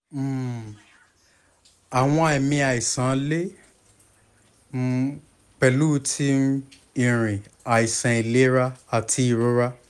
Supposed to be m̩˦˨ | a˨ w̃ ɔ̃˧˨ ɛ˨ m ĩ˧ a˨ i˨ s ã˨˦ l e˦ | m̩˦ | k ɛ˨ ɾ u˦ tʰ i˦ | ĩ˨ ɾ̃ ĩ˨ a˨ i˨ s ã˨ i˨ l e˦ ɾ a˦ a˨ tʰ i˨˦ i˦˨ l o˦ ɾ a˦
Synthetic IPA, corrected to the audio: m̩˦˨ | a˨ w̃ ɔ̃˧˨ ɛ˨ m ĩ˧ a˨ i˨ s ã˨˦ l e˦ | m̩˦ | k͡p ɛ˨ l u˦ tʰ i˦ | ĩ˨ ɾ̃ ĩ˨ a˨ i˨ s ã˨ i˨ l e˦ ɾ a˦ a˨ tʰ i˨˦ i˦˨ ɾ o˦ ɾ a˦